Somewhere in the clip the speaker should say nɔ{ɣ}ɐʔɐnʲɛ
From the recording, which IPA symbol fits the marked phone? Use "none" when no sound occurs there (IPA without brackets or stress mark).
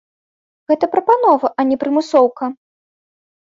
v